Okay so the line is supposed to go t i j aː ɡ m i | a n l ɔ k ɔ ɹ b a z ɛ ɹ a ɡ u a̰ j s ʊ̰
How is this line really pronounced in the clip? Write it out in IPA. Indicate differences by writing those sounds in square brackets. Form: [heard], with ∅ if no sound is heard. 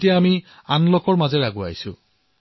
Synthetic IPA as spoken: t i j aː [∅] m i | a n l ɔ k ɔ ɹ [m] a z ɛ ɹ a ɡ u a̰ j s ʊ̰